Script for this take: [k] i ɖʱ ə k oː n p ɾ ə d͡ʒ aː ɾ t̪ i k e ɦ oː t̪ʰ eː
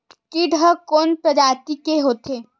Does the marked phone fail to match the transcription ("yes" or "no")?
no